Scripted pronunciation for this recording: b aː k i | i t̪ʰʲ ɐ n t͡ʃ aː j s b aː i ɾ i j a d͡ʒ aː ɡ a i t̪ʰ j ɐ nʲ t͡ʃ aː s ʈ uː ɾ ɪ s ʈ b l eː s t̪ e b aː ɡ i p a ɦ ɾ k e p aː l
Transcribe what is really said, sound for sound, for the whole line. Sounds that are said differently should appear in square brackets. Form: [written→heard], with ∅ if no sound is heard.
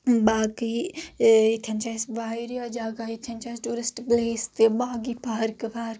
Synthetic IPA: b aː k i | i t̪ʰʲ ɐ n t͡ʃ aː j s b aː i ɾ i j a d͡ʒ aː ɡ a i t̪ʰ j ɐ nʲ t͡ʃ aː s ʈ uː ɾ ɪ s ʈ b l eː s t̪ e b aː ɡ i p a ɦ ɾ k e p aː [l→ɾ]